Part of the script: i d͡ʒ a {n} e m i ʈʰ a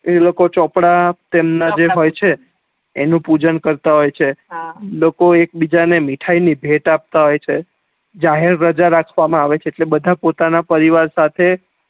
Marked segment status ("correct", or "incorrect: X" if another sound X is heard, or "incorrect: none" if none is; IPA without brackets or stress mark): correct